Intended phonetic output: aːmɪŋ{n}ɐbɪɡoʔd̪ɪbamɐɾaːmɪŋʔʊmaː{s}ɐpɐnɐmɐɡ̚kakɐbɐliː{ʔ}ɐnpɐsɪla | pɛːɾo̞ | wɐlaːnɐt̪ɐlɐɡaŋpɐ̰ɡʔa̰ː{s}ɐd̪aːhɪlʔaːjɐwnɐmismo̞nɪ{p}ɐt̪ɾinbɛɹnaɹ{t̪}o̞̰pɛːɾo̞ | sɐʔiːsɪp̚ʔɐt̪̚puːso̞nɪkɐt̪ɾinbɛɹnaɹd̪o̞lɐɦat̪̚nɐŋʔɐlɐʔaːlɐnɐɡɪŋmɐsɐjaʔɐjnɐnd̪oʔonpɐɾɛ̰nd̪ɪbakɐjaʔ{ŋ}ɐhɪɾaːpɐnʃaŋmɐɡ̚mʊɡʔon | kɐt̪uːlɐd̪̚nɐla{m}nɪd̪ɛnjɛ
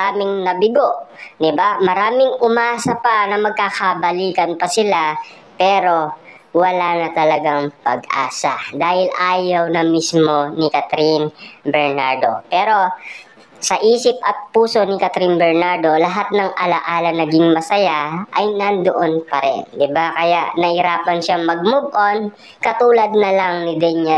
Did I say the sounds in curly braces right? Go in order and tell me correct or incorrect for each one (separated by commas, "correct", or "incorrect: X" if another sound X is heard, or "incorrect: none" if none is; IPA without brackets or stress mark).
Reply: correct, correct, incorrect: k, correct, incorrect: k, incorrect: d̪, incorrect: n, incorrect: ŋ